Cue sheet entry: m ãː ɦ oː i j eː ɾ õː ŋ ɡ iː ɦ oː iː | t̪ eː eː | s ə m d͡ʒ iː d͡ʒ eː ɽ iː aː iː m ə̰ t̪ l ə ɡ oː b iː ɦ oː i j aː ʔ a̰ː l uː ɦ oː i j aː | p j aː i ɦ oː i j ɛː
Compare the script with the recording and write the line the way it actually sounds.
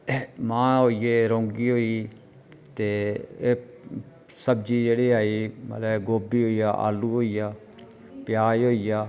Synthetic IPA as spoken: m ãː ɦ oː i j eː ɾ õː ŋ ɡ iː ɦ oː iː | t̪ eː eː | s ə b d͡ʒ iː d͡ʒ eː ɽ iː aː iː m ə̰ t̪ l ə ɡ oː b iː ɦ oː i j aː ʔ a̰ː l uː ɦ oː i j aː | p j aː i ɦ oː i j aː